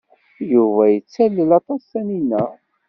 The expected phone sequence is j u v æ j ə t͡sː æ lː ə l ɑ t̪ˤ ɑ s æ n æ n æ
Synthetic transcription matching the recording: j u v æ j ə t͡sː æ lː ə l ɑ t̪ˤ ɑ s æ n i n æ